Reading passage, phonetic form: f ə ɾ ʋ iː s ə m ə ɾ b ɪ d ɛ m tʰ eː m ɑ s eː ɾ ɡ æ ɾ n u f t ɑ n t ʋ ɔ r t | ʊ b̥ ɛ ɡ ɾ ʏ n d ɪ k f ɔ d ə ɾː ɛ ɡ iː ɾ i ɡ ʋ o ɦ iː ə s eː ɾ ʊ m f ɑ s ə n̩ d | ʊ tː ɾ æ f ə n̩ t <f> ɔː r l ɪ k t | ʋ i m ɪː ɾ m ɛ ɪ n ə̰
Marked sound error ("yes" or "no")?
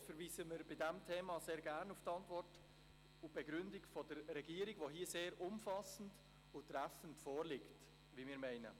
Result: no